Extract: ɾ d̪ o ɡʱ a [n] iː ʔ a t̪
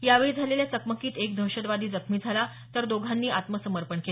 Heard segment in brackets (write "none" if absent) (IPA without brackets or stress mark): nː